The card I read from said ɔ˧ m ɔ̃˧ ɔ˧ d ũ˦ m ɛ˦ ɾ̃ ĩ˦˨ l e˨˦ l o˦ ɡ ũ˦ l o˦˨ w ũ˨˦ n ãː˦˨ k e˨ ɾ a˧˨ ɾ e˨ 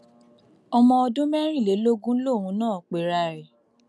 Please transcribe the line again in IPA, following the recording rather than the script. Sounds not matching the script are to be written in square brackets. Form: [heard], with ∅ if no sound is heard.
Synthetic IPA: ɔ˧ m ɔ̃˧ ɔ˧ d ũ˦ m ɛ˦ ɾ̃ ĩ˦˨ l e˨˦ l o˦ ɡ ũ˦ l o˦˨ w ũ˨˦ n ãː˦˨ [k͡p] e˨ ɾ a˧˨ ɾ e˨